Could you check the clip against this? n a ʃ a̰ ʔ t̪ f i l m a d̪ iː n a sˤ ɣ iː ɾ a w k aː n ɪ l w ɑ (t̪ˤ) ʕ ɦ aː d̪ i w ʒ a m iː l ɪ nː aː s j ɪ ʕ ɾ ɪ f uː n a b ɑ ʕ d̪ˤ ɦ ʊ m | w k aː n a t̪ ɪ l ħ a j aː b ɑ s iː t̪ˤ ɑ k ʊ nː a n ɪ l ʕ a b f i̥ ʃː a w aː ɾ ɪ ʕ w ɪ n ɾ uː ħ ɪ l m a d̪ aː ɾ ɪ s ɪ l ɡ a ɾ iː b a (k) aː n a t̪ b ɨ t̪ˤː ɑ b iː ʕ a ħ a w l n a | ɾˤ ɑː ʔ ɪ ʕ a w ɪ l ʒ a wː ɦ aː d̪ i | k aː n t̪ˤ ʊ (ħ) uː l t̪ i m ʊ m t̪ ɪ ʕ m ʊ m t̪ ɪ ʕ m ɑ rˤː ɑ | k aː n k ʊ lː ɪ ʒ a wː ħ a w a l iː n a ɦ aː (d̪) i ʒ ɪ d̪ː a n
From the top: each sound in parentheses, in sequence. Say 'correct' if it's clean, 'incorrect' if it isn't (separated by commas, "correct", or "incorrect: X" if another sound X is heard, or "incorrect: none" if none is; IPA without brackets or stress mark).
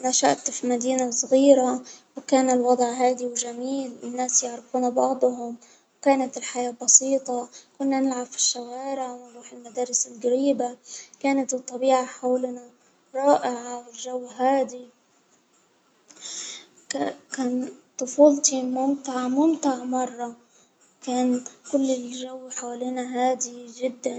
incorrect: d̪ˤ, correct, incorrect: f, correct